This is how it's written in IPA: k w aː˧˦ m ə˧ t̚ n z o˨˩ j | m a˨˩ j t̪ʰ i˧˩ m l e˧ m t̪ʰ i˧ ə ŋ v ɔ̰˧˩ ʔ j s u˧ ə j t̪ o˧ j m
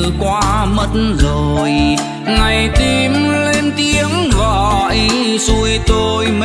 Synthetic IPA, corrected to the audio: k w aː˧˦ m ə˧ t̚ n z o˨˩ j | ŋ a˨˩ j t̪ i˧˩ m l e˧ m t̪ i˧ ə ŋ ɣ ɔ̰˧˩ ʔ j s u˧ ə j t̪ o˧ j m